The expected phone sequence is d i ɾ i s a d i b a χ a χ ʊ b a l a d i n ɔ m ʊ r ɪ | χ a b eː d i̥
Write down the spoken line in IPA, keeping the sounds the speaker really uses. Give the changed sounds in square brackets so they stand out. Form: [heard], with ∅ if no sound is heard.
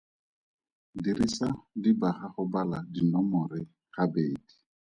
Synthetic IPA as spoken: d i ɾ i s a d i b a χ a χ ʊ b a l a d i n ɔ m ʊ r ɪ | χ a b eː d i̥